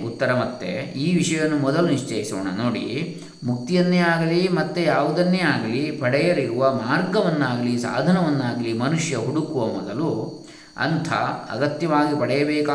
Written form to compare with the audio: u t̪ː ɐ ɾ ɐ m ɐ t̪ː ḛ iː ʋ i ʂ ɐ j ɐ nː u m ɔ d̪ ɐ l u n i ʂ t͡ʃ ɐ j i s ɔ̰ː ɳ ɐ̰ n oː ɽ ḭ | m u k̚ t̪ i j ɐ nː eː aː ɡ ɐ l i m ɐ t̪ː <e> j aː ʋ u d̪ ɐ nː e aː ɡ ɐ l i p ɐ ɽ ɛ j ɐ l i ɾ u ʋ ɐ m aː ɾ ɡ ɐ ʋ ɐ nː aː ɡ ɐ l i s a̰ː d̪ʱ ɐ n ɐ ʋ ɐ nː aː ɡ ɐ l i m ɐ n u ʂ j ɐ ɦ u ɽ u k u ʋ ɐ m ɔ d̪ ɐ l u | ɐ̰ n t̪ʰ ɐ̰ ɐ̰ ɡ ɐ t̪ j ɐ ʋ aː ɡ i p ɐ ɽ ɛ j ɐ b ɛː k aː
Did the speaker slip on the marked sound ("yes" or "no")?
no